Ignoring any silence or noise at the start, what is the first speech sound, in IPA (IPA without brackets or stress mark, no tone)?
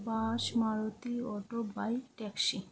b